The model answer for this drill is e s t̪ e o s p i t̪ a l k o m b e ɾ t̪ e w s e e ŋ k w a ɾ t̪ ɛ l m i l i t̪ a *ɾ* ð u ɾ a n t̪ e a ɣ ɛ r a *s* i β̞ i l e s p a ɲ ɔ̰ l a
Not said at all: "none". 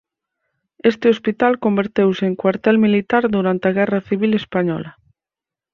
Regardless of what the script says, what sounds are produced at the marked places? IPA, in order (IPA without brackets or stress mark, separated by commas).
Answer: ɾ, θ